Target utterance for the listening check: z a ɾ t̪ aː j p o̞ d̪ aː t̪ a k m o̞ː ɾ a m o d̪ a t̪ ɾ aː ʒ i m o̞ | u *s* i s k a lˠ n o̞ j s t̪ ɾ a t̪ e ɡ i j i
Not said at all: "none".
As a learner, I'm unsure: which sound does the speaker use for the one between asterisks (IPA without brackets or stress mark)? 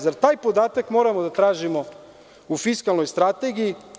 f